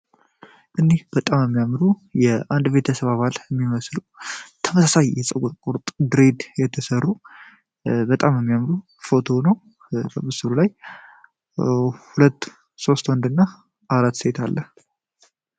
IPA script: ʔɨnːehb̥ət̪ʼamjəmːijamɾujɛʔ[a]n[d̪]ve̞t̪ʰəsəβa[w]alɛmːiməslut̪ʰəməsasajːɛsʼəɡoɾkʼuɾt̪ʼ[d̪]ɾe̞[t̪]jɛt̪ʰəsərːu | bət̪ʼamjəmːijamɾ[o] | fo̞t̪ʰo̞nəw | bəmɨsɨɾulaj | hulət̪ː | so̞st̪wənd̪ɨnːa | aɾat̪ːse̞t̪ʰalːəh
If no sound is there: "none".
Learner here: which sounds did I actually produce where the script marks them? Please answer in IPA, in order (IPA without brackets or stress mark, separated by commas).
a, d̪, β, d̪, d̪, u